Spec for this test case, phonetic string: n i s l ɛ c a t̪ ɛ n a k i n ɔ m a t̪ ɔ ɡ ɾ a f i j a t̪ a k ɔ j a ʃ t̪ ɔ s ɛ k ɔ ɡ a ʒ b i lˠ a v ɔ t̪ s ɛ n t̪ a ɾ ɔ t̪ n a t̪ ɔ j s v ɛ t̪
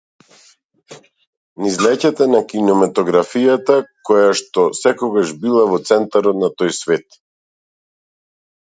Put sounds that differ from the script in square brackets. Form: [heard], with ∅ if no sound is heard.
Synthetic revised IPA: n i [z] l ɛ c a t̪ ɛ n a k i n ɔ m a t̪ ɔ ɡ ɾ a f i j a t̪ a k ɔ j a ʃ t̪ ɔ s ɛ k ɔ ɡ a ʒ b i lˠ a v ɔ t̪ s ɛ n t̪ a ɾ ɔ t̪ n a t̪ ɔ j s v ɛ t̪